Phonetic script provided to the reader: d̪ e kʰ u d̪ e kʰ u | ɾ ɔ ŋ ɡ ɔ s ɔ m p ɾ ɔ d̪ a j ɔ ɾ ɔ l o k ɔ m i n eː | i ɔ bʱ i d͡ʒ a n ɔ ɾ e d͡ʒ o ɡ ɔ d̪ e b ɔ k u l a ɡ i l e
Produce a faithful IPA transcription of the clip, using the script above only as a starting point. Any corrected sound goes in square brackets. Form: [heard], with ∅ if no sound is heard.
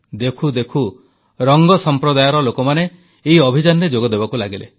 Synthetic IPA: d̪ e kʰ u d̪ e kʰ u | ɾ ɔ ŋ ɡ ɔ s ɔ m p ɾ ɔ d̪ a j ɔ ɾ ɔ l o k ɔ m [a] n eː | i ɔ bʱ i d͡ʒ a n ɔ ɾ e d͡ʒ o ɡ ɔ d̪ e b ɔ k u l a ɡ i l e

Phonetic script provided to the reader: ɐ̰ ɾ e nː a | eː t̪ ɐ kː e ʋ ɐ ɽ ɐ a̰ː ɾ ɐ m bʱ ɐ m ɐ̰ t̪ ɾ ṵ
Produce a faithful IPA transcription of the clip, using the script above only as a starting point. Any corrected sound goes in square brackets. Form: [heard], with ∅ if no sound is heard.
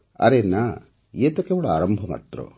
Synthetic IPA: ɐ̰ ɾ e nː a | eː t̪ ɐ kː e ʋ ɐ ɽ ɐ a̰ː ɾ ɐ m bʱ ɐ m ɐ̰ t̪ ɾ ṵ

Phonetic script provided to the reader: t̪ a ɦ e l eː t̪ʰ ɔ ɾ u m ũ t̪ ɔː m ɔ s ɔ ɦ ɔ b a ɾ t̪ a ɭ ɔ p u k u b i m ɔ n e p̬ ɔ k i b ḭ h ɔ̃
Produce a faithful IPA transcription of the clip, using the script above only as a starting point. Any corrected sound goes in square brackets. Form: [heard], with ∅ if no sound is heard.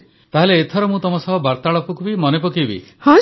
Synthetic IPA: t̪ a ɦ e l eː t̪ʰ ɔ ɾ [ɔ] m ũ t̪ [ɔ] m ɔ s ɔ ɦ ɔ b a ɾ t̪ a ɭ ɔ p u k u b i m ɔ n e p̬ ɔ k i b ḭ h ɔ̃

